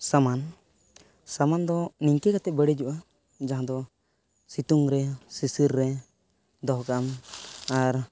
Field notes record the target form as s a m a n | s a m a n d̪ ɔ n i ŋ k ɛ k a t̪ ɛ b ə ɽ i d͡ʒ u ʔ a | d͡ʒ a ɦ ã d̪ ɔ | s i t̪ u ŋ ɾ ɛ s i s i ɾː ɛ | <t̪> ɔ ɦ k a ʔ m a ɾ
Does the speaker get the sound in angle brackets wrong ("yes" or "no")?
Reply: yes